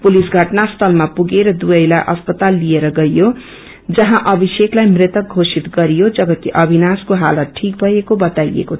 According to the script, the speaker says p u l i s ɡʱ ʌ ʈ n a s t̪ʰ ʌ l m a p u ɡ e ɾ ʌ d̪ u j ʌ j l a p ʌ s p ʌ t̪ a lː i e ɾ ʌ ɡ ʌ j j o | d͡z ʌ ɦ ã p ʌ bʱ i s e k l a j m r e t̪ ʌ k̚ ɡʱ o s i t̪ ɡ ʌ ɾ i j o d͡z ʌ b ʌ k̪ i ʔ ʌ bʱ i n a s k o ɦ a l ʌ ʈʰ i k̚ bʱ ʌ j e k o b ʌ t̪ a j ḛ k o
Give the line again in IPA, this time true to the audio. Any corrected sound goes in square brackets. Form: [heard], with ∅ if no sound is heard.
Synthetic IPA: p u l i s ɡʱ ʌ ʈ n a s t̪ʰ ʌ l m a p u ɡ e ɾ ʌ d̪ u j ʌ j l a [ʔ] ʌ s p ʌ t̪ a lː i e ɾ ʌ ɡ ʌ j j o | d͡z ʌ ɦ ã [ʔ] ʌ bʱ i s e k l a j m r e t̪ ʌ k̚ ɡʱ o s i t̪ ɡ ʌ ɾ i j o d͡z ʌ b ʌ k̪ i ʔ ʌ bʱ i n a s k o ɦ a l ʌ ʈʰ i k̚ bʱ ʌ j e k o b ʌ t̪ a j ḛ k o